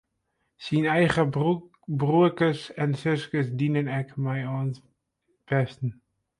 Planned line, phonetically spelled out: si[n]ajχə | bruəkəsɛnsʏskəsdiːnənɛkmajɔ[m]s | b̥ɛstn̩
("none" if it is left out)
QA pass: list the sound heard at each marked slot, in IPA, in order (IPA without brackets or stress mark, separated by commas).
n, n